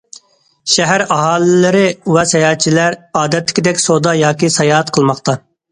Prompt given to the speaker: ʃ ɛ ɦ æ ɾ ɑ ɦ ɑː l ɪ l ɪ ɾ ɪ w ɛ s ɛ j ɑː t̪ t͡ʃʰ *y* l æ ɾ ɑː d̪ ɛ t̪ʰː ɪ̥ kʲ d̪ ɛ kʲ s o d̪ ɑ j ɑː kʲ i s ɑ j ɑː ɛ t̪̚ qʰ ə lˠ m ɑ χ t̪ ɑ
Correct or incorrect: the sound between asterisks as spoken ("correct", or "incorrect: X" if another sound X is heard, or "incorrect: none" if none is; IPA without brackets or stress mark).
incorrect: i